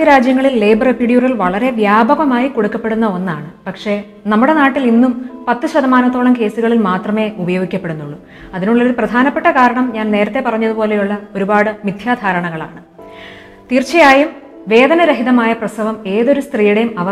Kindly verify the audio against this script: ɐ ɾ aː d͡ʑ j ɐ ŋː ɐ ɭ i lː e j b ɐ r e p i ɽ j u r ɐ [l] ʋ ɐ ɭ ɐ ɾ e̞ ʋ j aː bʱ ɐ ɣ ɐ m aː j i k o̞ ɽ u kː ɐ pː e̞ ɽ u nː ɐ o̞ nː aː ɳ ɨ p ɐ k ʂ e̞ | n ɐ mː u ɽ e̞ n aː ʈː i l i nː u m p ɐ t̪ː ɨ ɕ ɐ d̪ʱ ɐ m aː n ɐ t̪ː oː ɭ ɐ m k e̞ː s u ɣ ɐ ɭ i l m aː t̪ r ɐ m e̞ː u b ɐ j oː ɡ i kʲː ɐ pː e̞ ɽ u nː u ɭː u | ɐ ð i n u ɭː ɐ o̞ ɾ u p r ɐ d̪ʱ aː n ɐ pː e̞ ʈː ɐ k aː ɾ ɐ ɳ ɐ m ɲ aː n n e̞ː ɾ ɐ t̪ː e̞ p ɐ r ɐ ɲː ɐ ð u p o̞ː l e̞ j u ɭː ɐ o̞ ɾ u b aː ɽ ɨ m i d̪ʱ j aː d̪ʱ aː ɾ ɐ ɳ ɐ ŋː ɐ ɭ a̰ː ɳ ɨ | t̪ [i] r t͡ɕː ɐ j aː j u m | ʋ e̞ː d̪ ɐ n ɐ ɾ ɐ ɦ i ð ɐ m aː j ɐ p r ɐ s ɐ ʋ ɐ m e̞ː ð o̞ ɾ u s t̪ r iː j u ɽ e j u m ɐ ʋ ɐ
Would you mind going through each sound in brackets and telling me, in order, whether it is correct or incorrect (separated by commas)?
correct, incorrect